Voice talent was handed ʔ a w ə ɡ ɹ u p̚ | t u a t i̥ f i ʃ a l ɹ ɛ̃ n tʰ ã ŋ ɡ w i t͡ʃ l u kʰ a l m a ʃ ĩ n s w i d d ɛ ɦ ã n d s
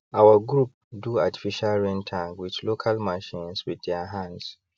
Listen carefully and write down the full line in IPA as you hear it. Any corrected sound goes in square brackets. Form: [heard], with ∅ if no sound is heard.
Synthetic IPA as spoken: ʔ a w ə ɡ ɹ u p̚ | [d] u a t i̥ f i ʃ a l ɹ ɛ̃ n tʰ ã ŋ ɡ w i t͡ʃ l [o] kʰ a l m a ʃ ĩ n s w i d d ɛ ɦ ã n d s